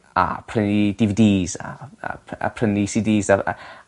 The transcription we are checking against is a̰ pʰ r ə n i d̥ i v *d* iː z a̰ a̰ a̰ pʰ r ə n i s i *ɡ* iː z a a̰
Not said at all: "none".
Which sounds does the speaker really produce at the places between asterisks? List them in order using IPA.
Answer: d, d

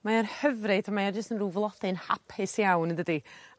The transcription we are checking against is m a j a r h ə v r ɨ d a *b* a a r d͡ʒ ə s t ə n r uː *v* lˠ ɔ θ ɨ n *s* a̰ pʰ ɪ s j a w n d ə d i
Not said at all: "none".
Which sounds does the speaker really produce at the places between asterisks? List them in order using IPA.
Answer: m, v, h

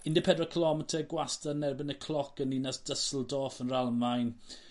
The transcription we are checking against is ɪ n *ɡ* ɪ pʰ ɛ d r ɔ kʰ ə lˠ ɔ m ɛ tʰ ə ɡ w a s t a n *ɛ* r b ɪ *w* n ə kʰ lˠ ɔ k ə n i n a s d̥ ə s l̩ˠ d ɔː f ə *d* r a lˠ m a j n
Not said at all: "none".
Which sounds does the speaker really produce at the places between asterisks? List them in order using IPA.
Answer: d, ɛ, none, n

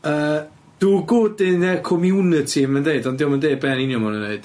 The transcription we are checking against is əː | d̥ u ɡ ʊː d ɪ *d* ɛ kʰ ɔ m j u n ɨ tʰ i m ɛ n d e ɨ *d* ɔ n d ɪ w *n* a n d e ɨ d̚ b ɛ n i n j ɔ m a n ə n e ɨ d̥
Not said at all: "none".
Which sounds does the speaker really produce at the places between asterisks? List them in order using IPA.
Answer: n, d, m

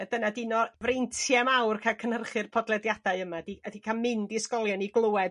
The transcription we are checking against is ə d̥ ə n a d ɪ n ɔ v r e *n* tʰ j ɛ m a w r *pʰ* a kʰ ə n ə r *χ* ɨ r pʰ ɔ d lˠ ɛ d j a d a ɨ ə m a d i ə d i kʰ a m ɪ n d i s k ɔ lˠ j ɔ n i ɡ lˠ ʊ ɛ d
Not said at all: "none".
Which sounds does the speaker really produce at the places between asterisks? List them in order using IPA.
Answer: n, kʰ, χ

